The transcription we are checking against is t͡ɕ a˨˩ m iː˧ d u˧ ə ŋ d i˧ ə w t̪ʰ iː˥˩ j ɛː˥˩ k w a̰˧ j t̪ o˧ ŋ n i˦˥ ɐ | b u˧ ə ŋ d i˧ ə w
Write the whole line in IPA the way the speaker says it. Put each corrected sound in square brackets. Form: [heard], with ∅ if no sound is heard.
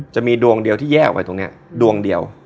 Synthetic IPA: t͡ɕ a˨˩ m iː˧ d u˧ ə ŋ d i˧ ə w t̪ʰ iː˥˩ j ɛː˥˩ k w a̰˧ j t̪ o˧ ŋ n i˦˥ ɐ | [d] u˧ ə ŋ d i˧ ə w